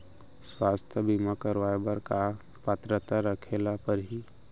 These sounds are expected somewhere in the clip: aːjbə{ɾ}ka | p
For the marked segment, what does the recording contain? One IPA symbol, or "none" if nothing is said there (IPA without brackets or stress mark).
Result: ɾ